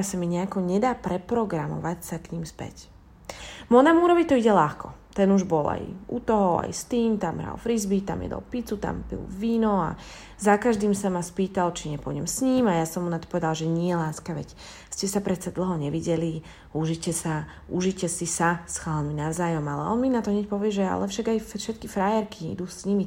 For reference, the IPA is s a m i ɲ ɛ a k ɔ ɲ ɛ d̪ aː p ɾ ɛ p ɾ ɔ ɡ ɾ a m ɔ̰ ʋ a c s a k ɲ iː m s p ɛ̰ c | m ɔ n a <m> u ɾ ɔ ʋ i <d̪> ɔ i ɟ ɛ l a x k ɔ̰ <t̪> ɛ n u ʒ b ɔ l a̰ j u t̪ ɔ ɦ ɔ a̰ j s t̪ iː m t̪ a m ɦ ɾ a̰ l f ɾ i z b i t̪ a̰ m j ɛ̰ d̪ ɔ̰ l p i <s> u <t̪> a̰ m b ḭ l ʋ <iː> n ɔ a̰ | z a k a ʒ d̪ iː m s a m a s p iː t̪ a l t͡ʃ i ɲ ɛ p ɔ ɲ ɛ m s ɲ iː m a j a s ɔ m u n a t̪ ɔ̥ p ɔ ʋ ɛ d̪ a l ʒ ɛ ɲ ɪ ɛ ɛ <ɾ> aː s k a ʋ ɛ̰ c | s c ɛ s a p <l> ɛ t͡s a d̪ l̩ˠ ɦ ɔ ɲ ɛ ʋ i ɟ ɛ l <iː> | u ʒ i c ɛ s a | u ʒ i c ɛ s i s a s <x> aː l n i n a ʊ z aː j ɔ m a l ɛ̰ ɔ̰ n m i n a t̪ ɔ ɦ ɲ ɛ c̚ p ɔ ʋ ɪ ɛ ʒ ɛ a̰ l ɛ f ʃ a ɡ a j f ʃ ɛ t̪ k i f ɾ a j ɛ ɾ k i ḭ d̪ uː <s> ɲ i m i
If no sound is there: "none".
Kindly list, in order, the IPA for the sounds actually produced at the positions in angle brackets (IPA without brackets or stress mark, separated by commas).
m, t̪, t̪, t͡s, t̪, iː, l, ɾ, i, x, s